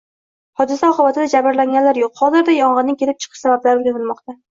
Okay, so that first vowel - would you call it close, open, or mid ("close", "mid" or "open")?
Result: open